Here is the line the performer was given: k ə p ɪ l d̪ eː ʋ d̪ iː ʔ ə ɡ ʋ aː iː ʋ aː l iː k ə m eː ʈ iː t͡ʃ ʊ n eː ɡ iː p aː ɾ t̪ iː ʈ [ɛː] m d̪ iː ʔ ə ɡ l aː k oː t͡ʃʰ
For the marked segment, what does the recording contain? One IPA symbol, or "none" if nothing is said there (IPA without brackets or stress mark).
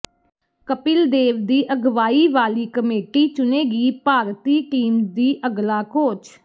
iː